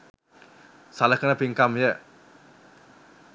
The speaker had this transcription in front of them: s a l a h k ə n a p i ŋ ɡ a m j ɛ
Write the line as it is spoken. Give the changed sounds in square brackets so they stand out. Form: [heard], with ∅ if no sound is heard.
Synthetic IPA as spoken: s a l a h k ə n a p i ŋ [k] a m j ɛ

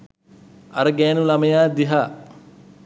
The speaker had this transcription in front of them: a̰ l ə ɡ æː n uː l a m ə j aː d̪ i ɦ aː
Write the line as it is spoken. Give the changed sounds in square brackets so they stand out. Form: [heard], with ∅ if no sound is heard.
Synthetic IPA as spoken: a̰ [ɾ] ə ɡ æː n [u] l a m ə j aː d̪ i ɦ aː

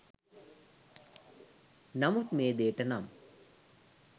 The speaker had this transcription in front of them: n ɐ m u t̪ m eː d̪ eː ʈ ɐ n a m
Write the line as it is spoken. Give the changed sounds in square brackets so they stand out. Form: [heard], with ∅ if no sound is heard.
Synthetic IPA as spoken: n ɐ m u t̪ m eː d̪ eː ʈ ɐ n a m

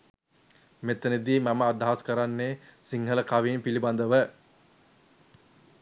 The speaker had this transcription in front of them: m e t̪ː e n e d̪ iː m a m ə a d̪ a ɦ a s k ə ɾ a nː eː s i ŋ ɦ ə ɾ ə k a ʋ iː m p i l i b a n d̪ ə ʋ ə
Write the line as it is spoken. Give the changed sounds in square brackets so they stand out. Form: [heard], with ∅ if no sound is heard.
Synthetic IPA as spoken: m e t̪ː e n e d̪ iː m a m ə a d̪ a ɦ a s k ə ɾ a nː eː s i ŋ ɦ ə [l] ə k a ʋ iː m p i l i b a n d̪ ə ʋ ə

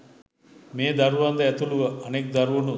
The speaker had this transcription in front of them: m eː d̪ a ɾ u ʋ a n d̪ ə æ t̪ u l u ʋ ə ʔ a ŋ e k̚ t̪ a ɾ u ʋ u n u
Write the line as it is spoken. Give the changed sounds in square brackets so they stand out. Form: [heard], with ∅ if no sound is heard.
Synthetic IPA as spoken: m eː d̪ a ɾ u ʋ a n d̪ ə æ t̪ u l u ʋ ə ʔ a [n] e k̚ [d̪] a ɾ u ʋ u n u

